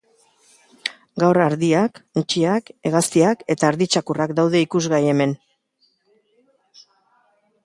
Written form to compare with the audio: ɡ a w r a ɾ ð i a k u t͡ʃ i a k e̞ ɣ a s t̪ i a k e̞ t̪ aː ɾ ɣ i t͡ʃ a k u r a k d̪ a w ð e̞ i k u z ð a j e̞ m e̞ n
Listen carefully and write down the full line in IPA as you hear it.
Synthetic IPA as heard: ɡ a w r a ɾ ð i a k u t͡ʃ i a k e̞ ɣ a s t̪ i a k e̞ t̪ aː ɾ ð i t͡ʃ a k u r a k d̪ a w ð e̞ i k u z ɣ a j e̞ m e̞ n